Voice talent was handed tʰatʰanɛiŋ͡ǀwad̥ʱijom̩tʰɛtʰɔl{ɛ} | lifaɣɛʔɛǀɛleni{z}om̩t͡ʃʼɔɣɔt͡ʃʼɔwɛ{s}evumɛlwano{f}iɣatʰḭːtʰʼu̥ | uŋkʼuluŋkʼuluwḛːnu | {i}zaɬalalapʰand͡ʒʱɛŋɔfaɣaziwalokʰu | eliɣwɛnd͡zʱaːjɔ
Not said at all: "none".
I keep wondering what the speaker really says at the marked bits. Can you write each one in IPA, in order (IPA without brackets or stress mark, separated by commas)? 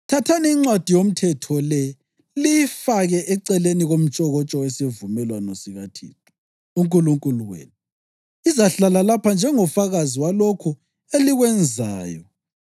ɛ, ɣ, s, s, i